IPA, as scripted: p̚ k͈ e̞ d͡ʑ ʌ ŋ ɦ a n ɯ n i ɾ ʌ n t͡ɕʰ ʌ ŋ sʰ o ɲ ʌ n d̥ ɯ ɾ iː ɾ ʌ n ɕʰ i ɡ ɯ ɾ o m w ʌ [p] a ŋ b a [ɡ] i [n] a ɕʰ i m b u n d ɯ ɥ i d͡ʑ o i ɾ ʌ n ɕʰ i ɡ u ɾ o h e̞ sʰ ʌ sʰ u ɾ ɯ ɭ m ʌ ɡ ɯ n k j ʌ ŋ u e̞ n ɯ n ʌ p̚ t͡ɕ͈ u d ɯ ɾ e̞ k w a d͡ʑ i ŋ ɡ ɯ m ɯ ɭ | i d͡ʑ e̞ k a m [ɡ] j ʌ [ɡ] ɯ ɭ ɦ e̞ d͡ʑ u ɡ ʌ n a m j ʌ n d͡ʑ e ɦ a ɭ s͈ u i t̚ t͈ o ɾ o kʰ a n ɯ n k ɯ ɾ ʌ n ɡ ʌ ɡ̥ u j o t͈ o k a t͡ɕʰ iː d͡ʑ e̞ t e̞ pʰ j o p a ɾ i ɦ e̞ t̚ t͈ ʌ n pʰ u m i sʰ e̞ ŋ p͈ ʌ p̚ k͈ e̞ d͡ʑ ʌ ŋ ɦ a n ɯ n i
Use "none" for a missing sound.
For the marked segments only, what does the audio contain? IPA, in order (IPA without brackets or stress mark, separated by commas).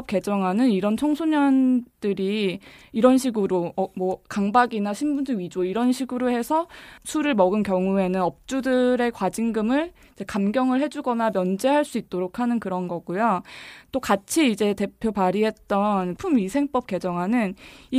k, ɡ, n, ɡ, ŋ